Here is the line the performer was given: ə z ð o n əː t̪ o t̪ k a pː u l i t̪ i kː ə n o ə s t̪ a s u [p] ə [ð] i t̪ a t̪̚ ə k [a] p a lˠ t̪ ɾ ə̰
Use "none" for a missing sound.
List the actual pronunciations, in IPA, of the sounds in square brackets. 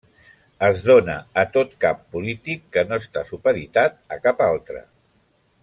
p, ð, a

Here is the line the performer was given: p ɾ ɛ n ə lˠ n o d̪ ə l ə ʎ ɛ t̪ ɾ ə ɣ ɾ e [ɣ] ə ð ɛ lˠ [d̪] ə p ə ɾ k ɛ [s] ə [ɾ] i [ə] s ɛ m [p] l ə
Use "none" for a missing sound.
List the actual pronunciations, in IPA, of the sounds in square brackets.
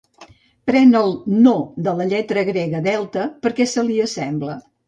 ɣ, t̪, s, l, ə, b

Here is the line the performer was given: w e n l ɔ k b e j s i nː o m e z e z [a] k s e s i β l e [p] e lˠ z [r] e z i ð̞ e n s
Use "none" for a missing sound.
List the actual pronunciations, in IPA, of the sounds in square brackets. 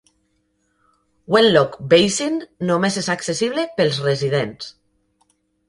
a, p, r

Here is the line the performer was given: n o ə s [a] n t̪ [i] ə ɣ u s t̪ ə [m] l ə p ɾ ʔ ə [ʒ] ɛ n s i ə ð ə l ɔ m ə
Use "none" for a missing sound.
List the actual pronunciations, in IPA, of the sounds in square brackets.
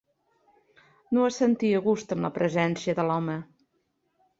ə, i, m, z

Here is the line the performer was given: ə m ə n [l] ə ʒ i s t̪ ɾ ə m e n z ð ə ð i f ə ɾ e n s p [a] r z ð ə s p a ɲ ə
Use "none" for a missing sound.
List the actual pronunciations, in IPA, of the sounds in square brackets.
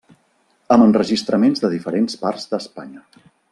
r, a

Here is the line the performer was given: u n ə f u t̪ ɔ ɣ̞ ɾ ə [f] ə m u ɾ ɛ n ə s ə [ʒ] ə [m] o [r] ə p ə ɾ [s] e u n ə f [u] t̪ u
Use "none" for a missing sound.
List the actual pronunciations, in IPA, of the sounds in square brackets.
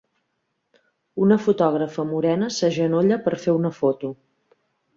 f, ʒ, n, ʎ, f, o

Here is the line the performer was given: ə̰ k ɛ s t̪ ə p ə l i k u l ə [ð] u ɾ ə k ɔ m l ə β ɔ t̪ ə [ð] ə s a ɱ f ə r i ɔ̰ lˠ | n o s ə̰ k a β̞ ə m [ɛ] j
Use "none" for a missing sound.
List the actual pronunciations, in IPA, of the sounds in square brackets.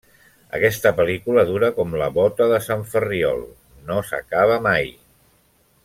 ð, ð, a

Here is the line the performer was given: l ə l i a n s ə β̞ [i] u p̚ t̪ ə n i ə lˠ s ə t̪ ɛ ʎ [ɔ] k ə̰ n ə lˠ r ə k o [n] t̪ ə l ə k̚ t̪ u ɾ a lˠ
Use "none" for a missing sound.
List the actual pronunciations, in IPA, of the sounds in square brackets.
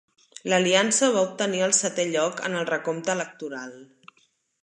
a, ɔ, m

